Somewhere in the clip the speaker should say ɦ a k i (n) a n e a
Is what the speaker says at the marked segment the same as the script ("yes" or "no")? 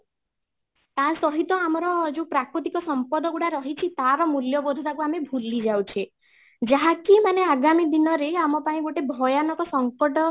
no